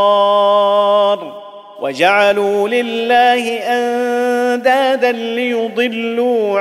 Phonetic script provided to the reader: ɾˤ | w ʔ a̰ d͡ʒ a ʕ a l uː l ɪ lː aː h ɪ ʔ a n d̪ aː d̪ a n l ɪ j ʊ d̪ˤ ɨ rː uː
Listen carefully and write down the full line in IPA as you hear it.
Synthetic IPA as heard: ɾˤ | w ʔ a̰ d͡ʒ a ʕ a l uː l ɪ lː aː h ɪ ʔ a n d̪ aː d̪ a n l ɪ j ʊ d̪ˤ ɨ lː uː